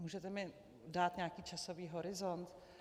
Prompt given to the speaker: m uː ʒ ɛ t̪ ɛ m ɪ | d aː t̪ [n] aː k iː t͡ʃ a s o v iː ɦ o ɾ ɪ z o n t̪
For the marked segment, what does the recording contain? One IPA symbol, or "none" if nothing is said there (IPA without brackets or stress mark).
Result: ɲ